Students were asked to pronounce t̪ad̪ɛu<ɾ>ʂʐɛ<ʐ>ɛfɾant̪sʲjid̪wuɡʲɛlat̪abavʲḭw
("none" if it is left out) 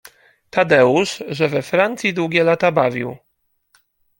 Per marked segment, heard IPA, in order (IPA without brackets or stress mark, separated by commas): none, v